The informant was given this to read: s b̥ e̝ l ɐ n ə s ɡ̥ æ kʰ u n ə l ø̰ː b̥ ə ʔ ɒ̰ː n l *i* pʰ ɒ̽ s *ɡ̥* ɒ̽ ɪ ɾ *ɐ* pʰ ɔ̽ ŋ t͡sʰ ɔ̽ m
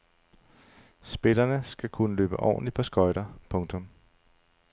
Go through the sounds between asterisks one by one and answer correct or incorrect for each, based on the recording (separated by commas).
correct, correct, correct